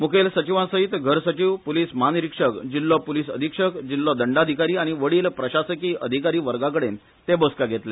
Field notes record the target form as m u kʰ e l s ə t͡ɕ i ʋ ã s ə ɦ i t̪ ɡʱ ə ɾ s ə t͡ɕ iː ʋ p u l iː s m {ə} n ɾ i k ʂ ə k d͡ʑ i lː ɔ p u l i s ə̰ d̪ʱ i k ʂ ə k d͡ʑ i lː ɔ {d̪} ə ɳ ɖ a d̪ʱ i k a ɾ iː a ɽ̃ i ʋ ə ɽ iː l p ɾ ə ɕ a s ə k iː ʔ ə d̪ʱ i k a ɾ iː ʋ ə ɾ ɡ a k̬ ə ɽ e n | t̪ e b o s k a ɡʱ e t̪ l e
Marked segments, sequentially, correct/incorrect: incorrect, correct

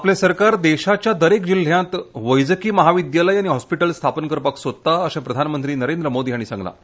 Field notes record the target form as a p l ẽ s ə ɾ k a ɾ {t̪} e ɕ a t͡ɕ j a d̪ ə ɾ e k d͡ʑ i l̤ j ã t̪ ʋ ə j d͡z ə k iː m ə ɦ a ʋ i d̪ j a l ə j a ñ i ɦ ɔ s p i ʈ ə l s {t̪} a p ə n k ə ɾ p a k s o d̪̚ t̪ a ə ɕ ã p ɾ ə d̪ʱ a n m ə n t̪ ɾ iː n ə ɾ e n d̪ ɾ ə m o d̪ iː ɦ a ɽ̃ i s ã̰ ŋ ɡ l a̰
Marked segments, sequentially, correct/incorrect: incorrect, incorrect

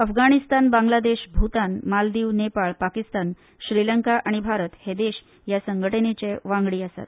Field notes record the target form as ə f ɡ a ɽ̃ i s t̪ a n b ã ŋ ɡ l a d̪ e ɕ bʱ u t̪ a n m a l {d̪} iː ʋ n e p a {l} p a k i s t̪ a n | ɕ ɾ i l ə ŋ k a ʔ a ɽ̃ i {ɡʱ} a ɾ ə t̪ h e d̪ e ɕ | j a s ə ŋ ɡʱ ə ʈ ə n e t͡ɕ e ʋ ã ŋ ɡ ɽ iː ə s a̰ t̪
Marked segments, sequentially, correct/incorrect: correct, incorrect, incorrect

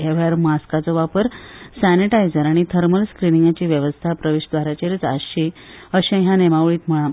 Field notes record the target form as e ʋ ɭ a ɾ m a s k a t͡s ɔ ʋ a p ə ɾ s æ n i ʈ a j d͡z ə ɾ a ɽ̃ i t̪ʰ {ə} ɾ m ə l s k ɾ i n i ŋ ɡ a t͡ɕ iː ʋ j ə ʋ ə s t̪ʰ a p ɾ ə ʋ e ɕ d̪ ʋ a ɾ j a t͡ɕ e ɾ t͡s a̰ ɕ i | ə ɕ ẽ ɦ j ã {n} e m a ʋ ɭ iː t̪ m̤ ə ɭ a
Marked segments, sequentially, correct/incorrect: correct, correct

